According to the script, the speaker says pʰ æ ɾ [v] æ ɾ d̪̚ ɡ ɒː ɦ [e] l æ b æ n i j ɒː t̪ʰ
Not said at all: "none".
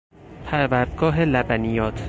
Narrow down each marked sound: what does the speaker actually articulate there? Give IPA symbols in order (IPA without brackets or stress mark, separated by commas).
v, e